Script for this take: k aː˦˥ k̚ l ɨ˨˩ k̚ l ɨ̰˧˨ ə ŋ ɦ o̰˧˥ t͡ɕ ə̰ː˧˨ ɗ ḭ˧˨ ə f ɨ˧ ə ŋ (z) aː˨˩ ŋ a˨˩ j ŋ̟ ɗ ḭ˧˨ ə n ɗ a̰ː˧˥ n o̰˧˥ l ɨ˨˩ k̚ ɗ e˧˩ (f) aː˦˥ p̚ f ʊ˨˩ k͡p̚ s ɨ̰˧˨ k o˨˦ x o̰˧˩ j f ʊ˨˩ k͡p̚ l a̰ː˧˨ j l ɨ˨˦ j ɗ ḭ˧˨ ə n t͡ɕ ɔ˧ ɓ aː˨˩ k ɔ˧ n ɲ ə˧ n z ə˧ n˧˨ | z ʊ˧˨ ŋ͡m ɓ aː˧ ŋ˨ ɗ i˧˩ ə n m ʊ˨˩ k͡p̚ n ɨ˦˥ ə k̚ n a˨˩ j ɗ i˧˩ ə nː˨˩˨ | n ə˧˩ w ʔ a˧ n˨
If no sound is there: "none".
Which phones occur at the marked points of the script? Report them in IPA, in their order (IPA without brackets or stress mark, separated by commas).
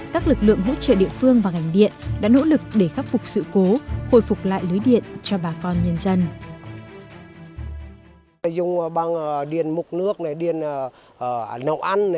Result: v, x